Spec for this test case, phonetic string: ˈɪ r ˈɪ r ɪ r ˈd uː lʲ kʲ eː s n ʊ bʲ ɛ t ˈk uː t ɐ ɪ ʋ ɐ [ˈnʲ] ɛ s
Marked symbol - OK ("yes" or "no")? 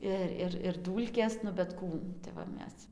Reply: no